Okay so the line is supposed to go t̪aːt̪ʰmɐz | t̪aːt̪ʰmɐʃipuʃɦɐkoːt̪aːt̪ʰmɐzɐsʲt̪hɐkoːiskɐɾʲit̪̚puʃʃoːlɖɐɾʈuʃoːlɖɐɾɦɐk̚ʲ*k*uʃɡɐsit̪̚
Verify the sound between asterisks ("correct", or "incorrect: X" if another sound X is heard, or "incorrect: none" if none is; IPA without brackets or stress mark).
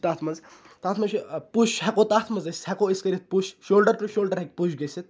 incorrect: p